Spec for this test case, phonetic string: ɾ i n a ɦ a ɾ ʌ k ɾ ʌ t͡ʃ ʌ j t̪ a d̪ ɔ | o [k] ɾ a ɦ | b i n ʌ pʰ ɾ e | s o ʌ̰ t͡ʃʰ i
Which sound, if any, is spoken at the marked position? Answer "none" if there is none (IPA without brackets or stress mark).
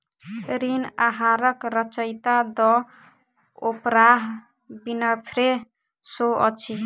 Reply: p